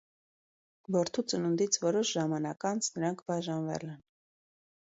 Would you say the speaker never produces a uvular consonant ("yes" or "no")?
yes